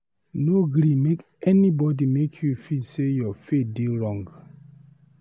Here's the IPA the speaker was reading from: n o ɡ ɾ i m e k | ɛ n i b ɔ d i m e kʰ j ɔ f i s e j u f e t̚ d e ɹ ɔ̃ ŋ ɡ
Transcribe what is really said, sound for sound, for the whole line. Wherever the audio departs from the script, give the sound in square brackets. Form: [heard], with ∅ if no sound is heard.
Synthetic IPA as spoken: n o ɡ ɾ i m e k | ɛ n i b ɔ d i m e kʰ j [u] f i s e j [ɔ] f e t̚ d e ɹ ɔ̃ ŋ ɡ